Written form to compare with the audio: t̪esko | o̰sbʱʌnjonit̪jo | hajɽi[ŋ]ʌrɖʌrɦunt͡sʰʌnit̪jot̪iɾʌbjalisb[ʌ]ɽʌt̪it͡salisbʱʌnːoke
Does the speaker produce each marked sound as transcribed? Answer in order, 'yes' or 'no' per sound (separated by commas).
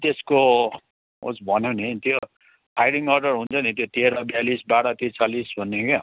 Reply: yes, no